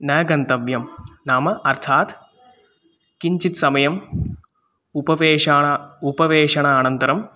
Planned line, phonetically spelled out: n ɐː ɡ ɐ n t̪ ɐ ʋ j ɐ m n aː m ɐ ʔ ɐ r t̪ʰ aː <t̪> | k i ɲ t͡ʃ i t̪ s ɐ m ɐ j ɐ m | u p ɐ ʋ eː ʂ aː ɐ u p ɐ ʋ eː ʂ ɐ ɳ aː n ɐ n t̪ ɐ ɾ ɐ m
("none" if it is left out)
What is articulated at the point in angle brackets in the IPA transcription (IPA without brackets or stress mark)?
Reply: t̪